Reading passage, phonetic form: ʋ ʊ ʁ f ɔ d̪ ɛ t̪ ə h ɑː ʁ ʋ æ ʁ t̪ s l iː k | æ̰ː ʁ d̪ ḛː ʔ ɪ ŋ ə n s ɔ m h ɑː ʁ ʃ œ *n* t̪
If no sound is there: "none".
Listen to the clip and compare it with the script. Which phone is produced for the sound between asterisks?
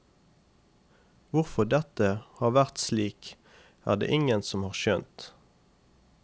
n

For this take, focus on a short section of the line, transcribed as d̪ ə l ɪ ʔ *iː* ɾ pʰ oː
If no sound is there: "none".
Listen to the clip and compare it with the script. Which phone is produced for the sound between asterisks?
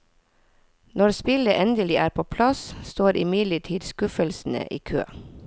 æː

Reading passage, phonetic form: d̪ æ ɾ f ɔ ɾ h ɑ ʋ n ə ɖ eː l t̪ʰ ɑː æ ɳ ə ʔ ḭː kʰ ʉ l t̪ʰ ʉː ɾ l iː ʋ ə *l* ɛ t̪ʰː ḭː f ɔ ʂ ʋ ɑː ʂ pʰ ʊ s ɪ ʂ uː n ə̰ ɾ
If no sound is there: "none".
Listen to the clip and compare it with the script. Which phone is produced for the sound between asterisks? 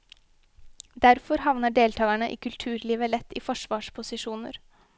l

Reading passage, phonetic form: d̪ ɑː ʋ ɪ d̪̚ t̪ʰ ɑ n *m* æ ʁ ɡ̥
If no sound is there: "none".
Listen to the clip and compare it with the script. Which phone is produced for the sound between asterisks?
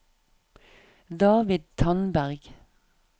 b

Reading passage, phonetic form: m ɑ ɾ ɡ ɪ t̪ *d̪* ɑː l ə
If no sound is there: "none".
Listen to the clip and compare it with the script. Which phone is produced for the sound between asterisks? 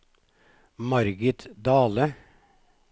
d̪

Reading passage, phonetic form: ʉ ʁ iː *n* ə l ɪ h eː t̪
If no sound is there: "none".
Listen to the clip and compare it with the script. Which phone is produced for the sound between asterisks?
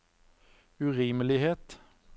m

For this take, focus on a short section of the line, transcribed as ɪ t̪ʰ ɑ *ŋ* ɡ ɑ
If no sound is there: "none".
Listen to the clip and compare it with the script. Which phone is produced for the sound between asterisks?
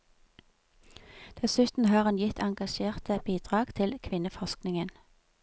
ŋ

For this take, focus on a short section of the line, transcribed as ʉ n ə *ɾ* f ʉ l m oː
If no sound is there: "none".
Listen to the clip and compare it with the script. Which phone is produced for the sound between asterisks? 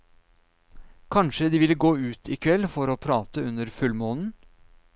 ɾ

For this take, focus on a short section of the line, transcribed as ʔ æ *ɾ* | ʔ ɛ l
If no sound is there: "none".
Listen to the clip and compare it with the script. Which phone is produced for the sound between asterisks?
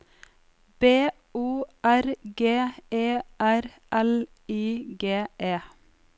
ɾ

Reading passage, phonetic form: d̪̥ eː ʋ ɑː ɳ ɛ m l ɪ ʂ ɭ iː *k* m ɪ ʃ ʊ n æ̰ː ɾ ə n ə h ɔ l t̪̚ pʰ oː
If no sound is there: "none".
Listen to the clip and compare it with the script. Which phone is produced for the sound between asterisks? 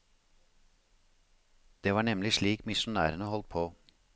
k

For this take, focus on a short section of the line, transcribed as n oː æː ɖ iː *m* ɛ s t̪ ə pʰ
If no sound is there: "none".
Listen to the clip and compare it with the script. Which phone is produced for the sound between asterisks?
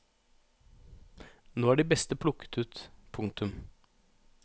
b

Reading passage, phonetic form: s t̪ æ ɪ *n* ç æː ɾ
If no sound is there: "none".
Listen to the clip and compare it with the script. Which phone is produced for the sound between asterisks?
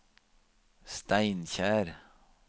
n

